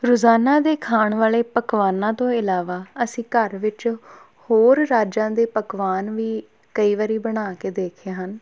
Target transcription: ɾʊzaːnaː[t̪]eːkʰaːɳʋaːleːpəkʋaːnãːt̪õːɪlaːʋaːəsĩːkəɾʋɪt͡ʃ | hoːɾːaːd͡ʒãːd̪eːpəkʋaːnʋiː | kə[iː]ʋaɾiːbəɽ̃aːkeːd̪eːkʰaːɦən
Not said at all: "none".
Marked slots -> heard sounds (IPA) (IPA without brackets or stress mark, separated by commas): d̪, iː